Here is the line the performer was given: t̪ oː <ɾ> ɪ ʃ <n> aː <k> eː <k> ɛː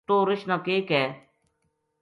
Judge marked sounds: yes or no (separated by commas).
yes, yes, yes, yes